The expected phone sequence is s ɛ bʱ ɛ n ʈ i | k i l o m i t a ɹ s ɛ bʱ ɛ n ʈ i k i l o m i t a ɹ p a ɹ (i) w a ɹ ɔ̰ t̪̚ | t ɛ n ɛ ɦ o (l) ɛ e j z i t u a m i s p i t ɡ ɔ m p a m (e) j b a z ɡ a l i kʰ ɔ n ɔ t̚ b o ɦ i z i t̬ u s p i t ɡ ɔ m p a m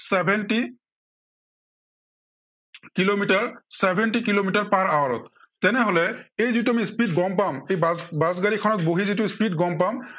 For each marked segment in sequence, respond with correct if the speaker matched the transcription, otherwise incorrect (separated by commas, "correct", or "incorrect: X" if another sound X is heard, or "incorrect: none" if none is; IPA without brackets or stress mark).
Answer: incorrect: a, correct, correct